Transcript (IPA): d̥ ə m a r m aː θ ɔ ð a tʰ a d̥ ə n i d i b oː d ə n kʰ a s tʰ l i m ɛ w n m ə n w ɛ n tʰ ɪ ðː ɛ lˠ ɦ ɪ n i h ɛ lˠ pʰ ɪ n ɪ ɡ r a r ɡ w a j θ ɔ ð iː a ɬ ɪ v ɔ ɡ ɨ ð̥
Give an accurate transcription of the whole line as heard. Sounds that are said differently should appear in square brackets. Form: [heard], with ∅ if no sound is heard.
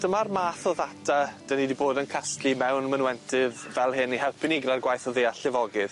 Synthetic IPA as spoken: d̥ ə m a r m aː θ ɔ ð a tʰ a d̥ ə n i d i b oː d ə n kʰ a s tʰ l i m ɛ w n m ə n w ɛ n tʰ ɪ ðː ɛ lˠ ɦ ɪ n i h ɛ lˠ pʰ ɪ n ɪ ɡ r a r ɡ w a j θ ɔ ð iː a ɬ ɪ v ɔ ɡ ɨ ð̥